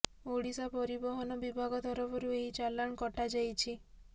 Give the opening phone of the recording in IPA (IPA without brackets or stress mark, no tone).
o